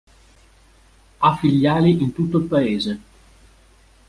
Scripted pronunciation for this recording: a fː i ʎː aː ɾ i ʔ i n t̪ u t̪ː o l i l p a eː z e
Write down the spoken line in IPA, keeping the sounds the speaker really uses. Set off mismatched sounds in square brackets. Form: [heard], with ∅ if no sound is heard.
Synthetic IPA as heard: a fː i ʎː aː [l] i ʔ i n t̪ u t̪ː o [∅] i l p a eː z e

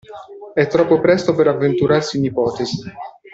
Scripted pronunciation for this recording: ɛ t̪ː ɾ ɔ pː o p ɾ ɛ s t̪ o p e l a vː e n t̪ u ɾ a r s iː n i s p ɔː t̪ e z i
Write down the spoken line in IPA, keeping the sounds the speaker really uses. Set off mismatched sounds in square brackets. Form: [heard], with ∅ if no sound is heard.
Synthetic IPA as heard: ɛ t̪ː ɾ ɔ pː o p ɾ ɛ s t̪ o p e [ɾ] a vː e n t̪ u ɾ a r s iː n i [∅] p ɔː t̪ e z i

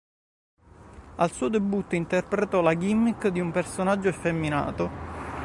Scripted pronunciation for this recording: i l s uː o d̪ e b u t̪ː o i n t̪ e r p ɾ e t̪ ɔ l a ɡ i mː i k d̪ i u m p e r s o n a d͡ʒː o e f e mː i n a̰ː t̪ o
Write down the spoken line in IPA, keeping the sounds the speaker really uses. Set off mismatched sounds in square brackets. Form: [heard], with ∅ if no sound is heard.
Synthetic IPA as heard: [a] l s uː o d̪ e b u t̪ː o i n t̪ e r p ɾ e t̪ ɔ l a ɡ i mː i k d̪ i u m p e r s o n a d͡ʒː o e f e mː i n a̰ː t̪ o

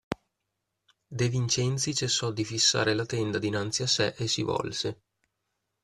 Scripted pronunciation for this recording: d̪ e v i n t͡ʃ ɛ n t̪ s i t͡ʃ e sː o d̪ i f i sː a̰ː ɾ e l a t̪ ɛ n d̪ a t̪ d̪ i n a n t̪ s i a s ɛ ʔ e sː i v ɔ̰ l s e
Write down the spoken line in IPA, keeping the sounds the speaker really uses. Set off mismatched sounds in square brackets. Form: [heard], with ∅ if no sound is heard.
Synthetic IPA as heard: d̪ e v i n t͡ʃ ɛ n t̪ s i t͡ʃ e sː [ɔ] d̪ i f i sː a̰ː ɾ e l a t̪ ɛ n d̪ a [∅] d̪ i n a n t̪ s i a s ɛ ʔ e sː i v ɔ̰ l s e

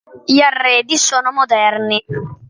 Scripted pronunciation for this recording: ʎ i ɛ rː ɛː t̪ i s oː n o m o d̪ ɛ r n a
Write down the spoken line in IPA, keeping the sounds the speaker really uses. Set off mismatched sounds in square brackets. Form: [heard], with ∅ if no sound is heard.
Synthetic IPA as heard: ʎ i [a] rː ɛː [d̪] i s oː n o m o d̪ ɛ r n [i]

